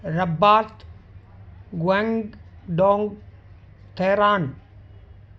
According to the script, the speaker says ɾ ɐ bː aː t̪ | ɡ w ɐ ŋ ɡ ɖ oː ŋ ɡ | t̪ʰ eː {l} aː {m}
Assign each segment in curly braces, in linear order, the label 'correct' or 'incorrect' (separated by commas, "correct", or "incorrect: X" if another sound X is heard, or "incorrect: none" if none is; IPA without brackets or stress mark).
incorrect: ɾ, incorrect: n